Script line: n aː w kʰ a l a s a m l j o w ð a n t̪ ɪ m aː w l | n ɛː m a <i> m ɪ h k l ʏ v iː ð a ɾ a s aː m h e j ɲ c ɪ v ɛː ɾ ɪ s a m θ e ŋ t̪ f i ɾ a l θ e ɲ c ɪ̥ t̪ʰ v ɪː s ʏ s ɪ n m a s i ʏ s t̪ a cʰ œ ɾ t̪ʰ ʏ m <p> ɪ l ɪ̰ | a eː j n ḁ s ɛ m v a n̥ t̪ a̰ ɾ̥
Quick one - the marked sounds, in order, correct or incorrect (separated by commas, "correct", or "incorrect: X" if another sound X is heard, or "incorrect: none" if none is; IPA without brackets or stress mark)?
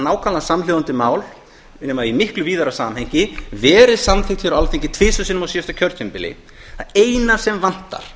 correct, correct